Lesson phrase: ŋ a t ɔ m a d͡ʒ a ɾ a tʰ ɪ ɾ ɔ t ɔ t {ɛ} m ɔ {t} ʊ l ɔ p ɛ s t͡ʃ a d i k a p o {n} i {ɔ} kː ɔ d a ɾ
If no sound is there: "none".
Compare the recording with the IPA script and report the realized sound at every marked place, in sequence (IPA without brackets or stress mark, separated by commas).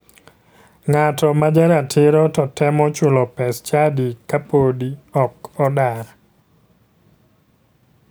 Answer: ɛ, t͡ʃ, d, ɔ